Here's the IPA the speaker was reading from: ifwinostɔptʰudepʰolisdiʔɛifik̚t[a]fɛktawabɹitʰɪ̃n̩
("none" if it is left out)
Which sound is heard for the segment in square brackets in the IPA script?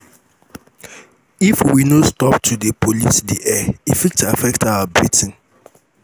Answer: a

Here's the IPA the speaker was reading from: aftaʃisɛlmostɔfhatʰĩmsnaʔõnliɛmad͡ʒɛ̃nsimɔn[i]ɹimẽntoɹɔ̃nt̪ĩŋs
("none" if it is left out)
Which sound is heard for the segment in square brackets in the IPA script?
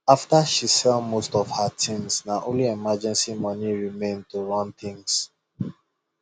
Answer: i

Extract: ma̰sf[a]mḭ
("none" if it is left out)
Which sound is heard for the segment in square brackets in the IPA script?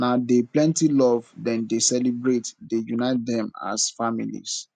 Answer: a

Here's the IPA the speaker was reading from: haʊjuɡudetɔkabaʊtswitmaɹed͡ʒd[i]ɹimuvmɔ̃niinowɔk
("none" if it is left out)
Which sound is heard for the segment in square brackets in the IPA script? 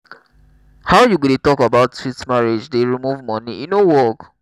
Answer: e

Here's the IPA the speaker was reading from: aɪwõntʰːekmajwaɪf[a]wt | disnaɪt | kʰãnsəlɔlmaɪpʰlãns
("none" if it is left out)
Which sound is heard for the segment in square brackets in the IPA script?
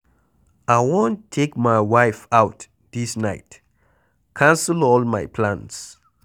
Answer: a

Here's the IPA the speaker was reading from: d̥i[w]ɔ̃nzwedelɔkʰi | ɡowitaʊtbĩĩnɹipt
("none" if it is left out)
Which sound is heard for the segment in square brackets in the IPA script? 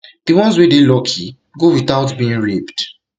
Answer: w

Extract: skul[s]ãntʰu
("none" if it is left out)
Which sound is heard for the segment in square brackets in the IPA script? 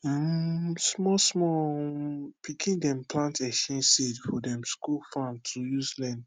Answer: f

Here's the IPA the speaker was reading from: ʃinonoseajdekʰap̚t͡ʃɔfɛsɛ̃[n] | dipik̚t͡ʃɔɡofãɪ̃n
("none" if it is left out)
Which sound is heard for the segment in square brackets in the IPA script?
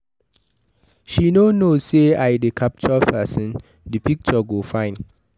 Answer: n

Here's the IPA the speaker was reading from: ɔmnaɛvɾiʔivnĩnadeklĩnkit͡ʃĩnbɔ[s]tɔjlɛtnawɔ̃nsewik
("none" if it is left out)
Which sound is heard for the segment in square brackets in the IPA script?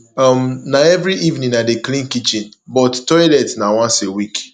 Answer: t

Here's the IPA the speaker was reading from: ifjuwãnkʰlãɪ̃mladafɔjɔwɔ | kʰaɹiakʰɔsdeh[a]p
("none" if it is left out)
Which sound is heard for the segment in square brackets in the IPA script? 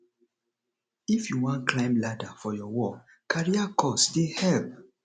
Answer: ɛ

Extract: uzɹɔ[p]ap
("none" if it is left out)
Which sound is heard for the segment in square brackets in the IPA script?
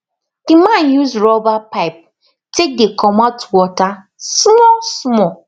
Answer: b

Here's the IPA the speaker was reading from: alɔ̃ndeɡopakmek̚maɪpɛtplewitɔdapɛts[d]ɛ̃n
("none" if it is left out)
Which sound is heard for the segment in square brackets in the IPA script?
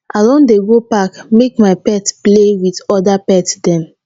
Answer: d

